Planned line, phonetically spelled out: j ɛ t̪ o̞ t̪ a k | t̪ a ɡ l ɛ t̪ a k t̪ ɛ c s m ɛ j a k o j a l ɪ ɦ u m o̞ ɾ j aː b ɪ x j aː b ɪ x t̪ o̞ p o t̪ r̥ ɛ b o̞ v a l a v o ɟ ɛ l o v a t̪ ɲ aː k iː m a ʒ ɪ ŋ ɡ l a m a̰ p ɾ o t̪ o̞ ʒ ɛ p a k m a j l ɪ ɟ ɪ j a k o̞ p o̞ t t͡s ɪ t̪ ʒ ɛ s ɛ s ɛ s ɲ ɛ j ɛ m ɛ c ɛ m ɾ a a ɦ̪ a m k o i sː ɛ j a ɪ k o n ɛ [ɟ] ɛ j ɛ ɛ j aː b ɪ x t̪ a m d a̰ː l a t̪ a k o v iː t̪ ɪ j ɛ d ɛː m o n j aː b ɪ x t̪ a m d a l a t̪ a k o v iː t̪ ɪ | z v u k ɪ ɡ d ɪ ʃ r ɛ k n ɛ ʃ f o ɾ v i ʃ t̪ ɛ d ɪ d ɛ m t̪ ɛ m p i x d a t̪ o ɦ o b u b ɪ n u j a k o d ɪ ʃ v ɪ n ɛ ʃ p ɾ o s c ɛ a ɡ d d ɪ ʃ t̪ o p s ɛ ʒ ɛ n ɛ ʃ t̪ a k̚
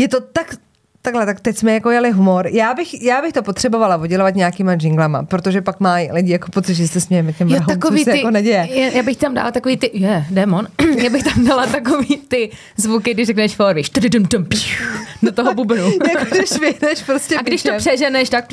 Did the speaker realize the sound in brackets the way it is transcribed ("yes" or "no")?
yes